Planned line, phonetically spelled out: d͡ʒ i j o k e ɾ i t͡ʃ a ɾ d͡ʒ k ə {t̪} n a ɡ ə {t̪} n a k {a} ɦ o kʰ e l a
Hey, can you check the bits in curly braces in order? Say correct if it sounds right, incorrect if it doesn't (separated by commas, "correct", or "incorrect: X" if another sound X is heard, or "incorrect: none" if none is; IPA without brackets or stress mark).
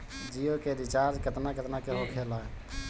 correct, correct, incorrect: e